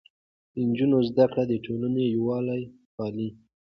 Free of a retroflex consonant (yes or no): no